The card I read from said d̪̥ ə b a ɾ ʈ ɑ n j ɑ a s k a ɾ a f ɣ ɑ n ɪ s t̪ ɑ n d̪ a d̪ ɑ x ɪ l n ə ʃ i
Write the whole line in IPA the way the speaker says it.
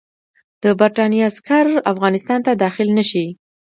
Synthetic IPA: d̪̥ ə b a ɾ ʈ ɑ n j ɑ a s k a ɾ a f ɣ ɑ n ɪ s t̪ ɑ n t̪ a d̪ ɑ x ɪ l n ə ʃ i